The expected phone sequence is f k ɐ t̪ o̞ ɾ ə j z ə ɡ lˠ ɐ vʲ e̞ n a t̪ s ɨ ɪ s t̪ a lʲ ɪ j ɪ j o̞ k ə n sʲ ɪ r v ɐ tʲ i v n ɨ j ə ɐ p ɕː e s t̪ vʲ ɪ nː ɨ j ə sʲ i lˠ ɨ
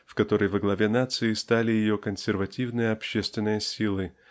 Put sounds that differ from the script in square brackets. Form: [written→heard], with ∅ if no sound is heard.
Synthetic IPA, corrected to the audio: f k ɐ t̪ o̞ ɾ ə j [z→v] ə ɡ lˠ ɐ vʲ e̞ n a t̪ s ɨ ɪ s t̪ a lʲ ɪ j ɪ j o̞ k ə n sʲ ɪ r v ɐ tʲ i v n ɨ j ə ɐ p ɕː e s t̪ vʲ ɪ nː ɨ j ə sʲ i lˠ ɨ

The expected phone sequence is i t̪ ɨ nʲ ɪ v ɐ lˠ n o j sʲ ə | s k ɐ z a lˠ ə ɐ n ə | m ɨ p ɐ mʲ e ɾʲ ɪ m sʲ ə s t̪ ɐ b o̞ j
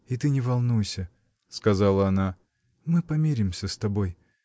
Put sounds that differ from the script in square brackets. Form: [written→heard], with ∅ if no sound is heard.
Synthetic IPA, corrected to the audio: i t̪ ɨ nʲ ɪ v ɐ lˠ n [o→u] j sʲ ə | s k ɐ z a lˠ ə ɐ n [ə→a] | m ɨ p ɐ mʲ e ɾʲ ɪ m sʲ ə s t̪ ɐ b o̞ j

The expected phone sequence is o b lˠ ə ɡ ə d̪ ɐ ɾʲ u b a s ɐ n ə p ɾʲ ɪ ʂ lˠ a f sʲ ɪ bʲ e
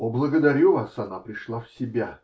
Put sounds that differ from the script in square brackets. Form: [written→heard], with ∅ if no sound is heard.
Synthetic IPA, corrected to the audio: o b lˠ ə ɡ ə d̪ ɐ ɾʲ u [b→v] a s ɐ n [ə→a] p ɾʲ ɪ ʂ lˠ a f sʲ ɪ bʲ [e→a]

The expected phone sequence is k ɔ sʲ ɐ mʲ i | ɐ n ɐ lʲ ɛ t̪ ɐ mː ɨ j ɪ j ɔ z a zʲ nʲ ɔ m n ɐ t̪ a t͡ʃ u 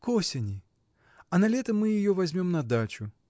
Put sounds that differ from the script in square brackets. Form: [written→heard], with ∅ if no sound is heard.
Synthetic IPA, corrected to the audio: k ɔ sʲ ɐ [mʲ→nʲ] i | ɐ n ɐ lʲ ɛ t̪ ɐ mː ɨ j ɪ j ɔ [z→v] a zʲ [nʲ→mʲ] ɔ m n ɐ [t̪→d̪] a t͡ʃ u

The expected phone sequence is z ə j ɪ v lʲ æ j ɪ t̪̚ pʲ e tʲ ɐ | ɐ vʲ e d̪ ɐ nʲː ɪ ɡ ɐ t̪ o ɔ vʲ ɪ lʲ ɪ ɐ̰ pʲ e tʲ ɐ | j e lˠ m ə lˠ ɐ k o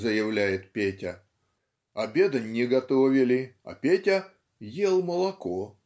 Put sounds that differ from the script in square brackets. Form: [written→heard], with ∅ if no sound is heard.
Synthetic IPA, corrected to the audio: z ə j ɪ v lʲ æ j ɪ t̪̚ pʲ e tʲ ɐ | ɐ [vʲ→bʲ] e d̪ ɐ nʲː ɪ ɡ ɐ t̪ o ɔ vʲ ɪ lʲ ɪ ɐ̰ pʲ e tʲ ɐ | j e lˠ m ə lˠ ɐ k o

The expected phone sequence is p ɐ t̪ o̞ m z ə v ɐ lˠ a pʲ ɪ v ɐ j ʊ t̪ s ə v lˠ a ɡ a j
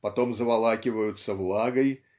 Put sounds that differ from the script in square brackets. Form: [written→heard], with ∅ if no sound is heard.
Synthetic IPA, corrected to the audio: p ɐ t̪ o̞ m z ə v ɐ lˠ a [pʲ→kʲ] ɪ v [ɐ→ə] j ʊ t̪ s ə v lˠ a ɡ [a→ə] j

